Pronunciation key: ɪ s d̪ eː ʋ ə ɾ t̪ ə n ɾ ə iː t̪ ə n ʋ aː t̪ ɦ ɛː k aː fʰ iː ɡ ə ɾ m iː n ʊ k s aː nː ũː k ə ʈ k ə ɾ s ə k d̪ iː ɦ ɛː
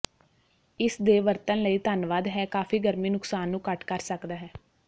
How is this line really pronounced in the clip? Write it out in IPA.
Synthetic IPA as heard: ɪ s d̪ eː ʋ ə ɾ t̪ ə n l ə iː t̪ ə n ʋ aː d̪ ɦ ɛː k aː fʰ iː ɡ ə ɾ m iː n ʊ k s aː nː ũː k ə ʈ k ə ɾ s ə k d̪ aː ɦ ɛː